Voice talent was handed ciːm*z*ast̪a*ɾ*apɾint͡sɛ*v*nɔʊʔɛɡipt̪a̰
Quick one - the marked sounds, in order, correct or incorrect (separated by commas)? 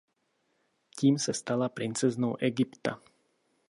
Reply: incorrect, incorrect, incorrect